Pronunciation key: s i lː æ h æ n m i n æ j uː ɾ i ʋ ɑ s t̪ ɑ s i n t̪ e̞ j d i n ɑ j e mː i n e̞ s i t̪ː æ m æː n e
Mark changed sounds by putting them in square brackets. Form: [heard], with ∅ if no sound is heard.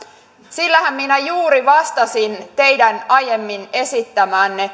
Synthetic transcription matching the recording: s i lː æ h æ [m] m i n æ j uː ɾ i ʋ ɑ s t̪ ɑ s i n t̪ e̞ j d [æ] n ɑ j e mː i n e̞ s i t̪ː æ m æː [nː] e